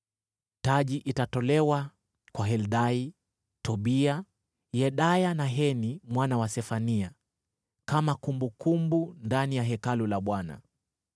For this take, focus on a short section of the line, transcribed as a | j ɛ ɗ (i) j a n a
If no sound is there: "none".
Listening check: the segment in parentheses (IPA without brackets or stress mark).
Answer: a